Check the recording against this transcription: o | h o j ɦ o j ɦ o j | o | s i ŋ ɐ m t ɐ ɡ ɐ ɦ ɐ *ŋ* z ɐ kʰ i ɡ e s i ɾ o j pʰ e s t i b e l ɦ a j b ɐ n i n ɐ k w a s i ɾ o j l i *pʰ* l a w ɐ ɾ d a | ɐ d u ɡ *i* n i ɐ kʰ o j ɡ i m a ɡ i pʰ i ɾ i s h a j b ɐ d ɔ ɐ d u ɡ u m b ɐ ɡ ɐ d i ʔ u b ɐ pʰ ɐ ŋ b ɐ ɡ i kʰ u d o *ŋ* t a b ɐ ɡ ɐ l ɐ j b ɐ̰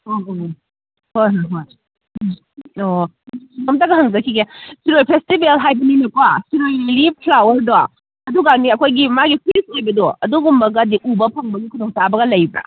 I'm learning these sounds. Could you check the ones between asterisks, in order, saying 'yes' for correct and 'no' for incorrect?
yes, yes, no, yes

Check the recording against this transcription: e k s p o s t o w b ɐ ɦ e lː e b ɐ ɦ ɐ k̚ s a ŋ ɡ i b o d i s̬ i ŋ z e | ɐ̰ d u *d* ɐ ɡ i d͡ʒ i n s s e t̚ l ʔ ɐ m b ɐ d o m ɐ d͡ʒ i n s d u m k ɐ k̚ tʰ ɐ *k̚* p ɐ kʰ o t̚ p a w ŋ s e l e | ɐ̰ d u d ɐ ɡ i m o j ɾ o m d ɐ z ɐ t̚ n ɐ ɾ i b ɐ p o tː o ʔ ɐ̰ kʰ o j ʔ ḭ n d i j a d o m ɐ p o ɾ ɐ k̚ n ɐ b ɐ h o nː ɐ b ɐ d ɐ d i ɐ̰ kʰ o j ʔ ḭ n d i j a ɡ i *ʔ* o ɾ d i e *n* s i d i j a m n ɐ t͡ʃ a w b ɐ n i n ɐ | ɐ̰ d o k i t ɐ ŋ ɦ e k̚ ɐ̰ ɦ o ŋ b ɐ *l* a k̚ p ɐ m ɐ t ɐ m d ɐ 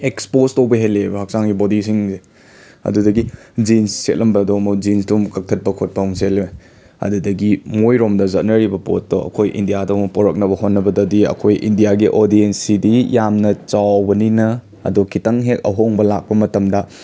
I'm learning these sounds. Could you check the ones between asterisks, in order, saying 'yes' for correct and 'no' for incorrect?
yes, no, yes, yes, yes

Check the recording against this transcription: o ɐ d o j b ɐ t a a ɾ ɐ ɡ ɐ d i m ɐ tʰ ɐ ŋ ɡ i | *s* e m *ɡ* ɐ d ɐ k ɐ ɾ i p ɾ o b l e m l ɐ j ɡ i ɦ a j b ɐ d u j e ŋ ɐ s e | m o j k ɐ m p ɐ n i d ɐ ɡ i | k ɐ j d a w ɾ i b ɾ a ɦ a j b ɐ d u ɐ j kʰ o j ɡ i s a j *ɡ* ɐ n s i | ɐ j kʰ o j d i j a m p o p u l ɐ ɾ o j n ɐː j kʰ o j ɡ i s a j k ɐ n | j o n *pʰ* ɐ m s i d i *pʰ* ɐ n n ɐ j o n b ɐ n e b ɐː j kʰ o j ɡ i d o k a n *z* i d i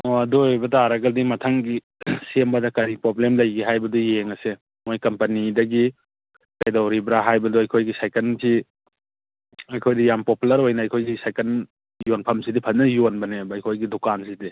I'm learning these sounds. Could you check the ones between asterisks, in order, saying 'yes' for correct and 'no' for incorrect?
yes, no, no, yes, yes, no

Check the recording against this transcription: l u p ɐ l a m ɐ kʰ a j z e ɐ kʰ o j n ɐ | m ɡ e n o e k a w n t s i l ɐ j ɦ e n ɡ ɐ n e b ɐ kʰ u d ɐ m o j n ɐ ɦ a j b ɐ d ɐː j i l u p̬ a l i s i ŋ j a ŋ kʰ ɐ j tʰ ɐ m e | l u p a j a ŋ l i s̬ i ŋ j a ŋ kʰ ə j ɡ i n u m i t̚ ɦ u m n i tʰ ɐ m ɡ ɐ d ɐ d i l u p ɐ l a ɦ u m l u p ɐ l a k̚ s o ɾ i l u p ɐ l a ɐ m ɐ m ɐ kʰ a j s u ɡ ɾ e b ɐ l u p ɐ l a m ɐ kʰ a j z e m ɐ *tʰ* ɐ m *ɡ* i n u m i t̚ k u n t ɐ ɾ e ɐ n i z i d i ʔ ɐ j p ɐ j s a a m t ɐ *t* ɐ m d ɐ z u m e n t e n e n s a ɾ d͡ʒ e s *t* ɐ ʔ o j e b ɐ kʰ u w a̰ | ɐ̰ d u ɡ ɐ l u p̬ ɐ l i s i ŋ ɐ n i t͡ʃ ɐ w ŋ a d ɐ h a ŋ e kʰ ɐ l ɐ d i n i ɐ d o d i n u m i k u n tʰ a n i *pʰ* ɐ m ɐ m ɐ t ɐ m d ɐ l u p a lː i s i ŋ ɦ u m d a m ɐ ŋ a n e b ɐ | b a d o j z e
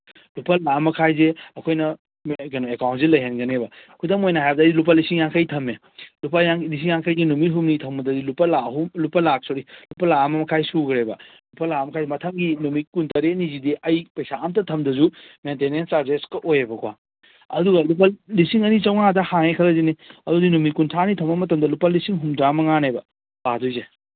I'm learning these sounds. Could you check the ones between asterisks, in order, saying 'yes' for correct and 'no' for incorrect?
yes, yes, no, no, no

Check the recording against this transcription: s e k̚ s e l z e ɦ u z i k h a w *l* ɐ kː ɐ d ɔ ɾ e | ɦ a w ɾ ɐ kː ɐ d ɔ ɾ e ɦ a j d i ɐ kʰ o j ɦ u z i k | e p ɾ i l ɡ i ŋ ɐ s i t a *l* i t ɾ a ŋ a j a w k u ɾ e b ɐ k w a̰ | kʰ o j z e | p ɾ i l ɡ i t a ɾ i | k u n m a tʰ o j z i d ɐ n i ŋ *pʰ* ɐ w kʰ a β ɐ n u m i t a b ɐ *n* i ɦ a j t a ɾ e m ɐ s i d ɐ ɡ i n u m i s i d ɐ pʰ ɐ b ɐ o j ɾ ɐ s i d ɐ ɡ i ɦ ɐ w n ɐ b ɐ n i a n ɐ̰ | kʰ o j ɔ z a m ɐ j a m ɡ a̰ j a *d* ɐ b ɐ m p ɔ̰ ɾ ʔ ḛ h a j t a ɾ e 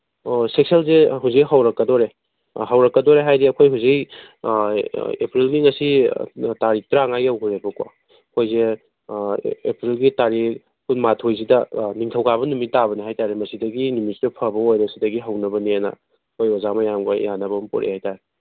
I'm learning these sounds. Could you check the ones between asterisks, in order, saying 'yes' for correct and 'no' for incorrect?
no, no, no, yes, no

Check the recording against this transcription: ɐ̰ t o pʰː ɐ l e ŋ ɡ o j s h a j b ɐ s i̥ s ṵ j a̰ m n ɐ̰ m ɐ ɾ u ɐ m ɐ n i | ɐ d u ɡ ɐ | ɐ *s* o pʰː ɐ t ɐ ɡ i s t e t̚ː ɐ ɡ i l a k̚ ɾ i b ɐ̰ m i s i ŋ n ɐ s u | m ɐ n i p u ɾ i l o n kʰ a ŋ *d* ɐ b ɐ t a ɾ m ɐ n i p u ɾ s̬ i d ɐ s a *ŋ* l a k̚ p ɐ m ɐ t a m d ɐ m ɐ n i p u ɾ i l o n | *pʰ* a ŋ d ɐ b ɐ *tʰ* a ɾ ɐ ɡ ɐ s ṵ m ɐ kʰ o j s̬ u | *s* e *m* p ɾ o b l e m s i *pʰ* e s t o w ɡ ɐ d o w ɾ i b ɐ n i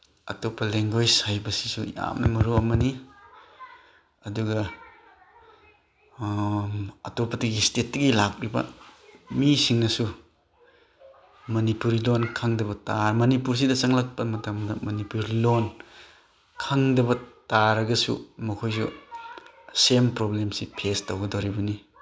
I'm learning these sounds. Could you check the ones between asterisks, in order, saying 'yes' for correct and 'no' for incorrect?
no, yes, yes, no, no, yes, yes, yes

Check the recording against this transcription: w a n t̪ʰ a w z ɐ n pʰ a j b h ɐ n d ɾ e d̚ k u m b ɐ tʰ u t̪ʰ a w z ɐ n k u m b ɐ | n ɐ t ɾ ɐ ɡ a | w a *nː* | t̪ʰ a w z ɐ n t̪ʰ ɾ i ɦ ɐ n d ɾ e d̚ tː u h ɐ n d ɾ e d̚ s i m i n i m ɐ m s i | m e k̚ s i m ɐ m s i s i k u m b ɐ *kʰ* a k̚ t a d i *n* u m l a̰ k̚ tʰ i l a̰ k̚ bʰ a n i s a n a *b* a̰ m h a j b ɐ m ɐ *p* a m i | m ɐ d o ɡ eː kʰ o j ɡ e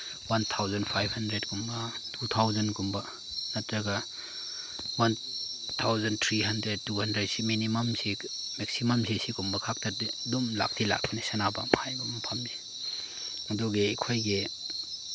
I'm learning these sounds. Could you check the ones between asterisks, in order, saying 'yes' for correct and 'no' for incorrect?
no, yes, no, yes, no

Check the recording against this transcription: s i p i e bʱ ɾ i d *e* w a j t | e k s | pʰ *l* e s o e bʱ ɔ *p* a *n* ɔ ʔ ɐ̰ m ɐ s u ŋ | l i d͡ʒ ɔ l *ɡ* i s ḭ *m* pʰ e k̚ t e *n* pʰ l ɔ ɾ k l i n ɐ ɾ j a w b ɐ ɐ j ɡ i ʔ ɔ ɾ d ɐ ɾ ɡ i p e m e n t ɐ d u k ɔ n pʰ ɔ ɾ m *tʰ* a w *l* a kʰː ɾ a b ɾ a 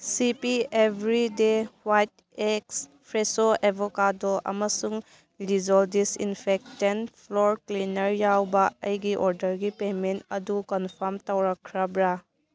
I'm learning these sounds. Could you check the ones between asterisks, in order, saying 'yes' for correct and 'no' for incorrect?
yes, no, no, no, no, no, yes, no, no

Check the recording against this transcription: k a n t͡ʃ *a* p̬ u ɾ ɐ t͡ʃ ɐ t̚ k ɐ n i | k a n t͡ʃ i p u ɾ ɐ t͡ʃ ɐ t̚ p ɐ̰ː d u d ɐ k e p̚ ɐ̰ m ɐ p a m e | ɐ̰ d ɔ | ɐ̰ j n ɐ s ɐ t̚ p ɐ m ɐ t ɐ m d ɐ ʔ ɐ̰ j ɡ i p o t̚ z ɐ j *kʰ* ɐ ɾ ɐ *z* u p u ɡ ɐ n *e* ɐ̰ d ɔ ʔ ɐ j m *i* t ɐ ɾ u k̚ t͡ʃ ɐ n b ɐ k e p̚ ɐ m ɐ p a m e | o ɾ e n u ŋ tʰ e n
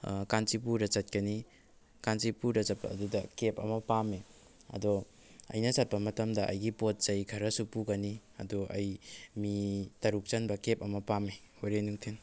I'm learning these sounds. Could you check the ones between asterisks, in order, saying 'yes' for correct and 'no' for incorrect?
no, yes, no, no, yes

